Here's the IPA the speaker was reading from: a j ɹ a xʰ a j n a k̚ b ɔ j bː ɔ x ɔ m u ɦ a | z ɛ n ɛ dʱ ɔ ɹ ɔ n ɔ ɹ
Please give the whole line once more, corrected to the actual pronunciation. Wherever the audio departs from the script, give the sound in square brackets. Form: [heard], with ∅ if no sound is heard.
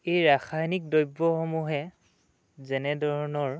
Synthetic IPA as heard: [e] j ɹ a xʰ a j n [i] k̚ [d] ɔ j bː ɔ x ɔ m u ɦ [ɛ] | z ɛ n ɛ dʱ ɔ ɹ ɔ n ɔ ɹ